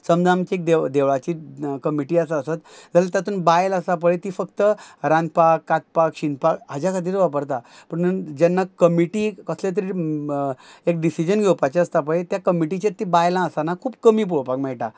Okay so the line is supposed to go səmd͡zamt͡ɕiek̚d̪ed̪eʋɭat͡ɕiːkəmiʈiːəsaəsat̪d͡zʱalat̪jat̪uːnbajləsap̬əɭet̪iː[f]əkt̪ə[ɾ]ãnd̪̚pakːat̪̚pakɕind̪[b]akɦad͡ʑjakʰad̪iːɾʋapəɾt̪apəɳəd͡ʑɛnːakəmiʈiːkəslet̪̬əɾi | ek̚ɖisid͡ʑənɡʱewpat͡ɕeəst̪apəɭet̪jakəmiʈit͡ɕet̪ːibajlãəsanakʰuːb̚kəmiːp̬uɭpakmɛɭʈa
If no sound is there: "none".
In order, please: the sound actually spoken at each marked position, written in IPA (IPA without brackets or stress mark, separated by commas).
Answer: f, ɾ, p